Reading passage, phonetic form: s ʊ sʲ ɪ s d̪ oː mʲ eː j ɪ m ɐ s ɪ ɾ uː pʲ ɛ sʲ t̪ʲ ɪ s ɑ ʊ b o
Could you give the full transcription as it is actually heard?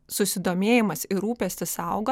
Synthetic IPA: s ʊ sʲ ɪ d̪ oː mʲ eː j ɪ m ɐ s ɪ ɾ uː pʲ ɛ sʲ t̪ʲ ɪ s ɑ ʊ ɡ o